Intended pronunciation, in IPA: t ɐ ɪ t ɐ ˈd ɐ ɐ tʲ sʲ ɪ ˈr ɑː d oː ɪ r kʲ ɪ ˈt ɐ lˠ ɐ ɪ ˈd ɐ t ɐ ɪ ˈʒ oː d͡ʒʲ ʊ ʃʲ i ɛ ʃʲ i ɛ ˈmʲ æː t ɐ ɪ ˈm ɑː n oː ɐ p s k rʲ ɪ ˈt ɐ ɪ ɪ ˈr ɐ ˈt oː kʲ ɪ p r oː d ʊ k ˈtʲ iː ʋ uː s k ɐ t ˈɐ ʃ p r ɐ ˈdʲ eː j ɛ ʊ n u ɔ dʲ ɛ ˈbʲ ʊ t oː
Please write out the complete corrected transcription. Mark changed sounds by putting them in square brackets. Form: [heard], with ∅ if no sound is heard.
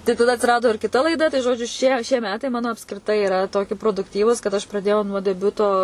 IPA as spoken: t ɐ ɪ t ɐ ˈd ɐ ɐ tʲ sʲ ɪ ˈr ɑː d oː ɪ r kʲ ɪ ˈt ɐ lˠ ɐ ɪ ˈd ɐ t ɐ ɪ ˈʒ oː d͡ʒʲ ʊ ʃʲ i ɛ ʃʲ i ɛ ˈmʲ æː t ɐ ɪ ˈm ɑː n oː ɐ p s k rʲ ɪ ˈt ɐ ɪ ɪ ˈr ɐ ˈt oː kʲ ɪ p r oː d ʊ k ˈtʲ iː ʋ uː s k ɐ t ˈɐ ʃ p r ɐ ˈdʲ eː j ɛ ʊ n u ɔ dʲ ɛ ˈbʲ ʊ t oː